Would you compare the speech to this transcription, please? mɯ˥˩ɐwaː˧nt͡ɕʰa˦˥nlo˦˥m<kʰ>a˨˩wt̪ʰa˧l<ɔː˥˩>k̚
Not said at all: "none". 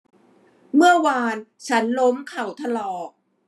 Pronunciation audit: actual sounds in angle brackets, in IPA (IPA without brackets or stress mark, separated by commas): kʰ, ɔː˨˩